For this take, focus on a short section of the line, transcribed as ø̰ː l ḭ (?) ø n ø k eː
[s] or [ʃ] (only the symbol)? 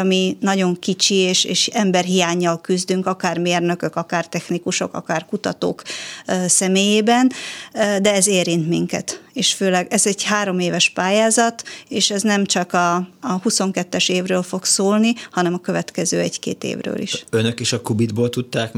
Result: ʃ